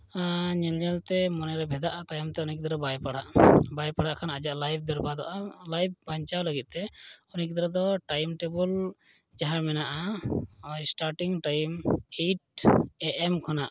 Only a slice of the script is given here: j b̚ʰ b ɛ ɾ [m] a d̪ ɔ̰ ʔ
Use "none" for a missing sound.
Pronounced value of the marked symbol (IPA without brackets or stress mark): b